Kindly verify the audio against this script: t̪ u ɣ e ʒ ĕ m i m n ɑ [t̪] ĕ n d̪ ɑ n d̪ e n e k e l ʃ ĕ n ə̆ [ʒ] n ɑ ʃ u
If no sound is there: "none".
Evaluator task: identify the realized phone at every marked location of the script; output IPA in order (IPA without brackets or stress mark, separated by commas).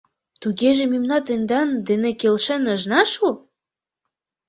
t̪, ʒ